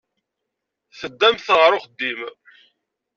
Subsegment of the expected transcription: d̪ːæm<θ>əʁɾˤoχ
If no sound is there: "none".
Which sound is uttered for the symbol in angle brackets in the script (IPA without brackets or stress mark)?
θ